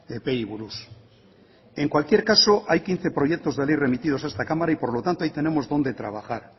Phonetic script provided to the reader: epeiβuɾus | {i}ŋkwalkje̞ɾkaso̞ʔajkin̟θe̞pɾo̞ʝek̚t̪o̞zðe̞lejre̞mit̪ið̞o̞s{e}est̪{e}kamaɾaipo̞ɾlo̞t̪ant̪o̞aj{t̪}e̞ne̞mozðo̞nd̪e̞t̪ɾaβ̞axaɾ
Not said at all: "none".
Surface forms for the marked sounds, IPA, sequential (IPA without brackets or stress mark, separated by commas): e, a, a, t̪